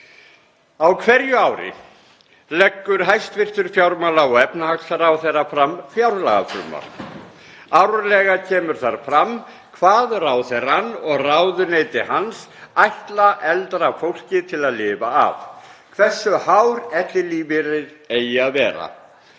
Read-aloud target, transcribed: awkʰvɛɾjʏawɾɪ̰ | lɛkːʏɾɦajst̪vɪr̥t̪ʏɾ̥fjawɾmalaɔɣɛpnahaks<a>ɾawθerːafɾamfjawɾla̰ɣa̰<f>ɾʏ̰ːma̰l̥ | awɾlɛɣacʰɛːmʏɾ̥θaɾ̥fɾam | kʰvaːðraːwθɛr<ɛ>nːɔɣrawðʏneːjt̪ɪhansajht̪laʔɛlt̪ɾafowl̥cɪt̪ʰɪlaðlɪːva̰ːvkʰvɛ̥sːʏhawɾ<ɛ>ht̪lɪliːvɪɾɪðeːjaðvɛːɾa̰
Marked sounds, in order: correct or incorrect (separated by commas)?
correct, correct, incorrect, correct